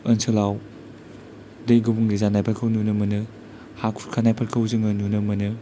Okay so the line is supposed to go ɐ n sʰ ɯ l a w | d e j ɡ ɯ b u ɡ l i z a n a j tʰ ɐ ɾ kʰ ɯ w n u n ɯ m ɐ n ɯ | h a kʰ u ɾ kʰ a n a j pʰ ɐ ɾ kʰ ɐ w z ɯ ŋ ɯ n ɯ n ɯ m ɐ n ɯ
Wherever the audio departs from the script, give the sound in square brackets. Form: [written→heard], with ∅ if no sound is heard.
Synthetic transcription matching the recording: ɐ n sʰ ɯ l a w | d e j ɡ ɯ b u [ɡ→ŋ] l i z a n a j [tʰ→pʰ] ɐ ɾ kʰ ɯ w n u n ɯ m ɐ n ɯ | h a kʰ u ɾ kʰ a n a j pʰ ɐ ɾ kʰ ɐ w z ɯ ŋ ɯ n [ɯ→u] n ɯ m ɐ n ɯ